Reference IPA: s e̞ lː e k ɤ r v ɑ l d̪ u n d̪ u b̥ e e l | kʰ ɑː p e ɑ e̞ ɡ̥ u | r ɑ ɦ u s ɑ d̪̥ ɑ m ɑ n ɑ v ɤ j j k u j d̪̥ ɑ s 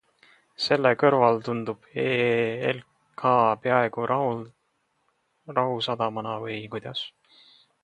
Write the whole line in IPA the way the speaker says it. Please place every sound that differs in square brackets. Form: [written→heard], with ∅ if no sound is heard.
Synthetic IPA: s e̞ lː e k ɤ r v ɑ l [d̪→t̪] u n d̪ u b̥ e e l | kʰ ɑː p e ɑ e̞ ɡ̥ u | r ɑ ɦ u s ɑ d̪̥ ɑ m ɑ n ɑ v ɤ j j k u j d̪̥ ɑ s

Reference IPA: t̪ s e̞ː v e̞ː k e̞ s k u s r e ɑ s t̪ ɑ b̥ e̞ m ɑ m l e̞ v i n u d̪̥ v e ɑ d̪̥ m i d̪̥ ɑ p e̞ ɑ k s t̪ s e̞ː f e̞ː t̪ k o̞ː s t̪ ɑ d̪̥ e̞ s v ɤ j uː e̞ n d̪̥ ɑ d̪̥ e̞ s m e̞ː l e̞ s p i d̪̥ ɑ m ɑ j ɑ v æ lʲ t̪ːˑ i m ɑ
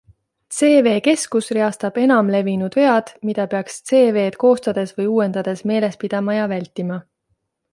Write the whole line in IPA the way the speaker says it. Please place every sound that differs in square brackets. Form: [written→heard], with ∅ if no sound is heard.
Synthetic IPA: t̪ s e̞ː v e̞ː k e̞ s k u s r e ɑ s t̪ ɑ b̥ e̞ [m→n] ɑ m l e̞ v i n u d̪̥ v e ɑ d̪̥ m i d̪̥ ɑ p e̞ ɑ k s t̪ s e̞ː [f→v] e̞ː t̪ k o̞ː s t̪ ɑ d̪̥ e̞ s v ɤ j uː e̞ n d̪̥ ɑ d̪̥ e̞ s m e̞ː l e̞ s p i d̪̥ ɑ m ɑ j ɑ v æ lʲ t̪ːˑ i m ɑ

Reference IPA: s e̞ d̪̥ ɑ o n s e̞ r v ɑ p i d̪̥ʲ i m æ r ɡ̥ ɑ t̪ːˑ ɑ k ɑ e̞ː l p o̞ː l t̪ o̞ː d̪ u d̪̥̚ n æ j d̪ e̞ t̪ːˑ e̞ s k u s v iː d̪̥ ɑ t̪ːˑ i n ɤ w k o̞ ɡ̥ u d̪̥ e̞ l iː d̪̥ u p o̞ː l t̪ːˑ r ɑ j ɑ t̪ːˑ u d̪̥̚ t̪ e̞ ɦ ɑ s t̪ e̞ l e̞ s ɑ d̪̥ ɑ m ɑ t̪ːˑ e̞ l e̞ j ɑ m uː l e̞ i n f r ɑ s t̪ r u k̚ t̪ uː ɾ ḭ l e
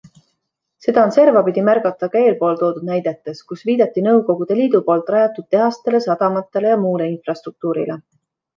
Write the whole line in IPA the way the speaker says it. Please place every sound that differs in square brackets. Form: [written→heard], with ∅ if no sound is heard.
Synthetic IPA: s e̞ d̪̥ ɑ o n s e̞ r v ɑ p i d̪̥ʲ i m æ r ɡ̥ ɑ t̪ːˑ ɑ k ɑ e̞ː l p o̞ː l t̪ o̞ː d̪ u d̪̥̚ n æ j d̪ e̞ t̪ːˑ e̞ s k u s v iː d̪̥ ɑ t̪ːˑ i n ɤ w k o̞ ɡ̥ u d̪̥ e̞ l iː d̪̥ u p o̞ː l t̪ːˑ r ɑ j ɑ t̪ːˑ u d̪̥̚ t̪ e̞ ɦ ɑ s t̪ e̞ l e̞ s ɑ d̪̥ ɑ m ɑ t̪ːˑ e̞ l e̞ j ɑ m uː l e̞ i n f r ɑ s t̪ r u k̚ t̪ uː ɾ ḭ l e

